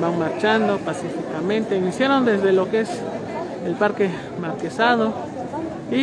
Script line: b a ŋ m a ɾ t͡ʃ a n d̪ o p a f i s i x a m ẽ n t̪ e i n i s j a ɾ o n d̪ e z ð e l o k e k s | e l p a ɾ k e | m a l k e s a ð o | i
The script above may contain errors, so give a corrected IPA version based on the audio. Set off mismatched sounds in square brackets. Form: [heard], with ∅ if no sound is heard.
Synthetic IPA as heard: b a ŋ m a ɾ t͡ʃ a n d̪ o p a [s] i [f] i [k] a m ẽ n t̪ e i n i s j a ɾ o n d̪ e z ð e l o k e [∅] s | e l p a ɾ k e | m a [ɾ] k e s a ð o | i